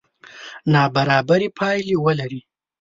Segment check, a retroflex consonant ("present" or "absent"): absent